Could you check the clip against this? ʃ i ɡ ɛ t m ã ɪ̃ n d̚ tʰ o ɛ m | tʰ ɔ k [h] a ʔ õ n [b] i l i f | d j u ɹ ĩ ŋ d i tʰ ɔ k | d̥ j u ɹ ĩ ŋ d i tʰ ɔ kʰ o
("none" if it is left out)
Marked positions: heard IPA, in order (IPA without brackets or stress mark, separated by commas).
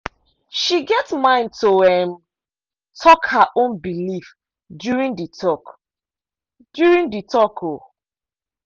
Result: h, b